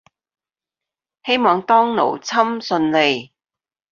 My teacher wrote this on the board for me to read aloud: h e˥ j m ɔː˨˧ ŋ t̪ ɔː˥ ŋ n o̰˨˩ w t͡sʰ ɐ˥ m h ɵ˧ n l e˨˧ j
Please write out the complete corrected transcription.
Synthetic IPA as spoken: h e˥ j m ɔː˨˧ ŋ t̪ ɔː˥ ŋ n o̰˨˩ w t͡sʰ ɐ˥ m s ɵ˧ n l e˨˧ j